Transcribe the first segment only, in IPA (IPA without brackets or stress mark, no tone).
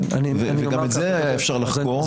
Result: v